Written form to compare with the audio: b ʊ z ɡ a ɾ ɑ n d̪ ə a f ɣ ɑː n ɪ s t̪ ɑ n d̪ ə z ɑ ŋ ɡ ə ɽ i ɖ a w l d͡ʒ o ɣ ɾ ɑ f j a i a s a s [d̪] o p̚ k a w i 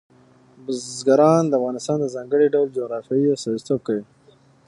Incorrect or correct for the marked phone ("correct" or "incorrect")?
incorrect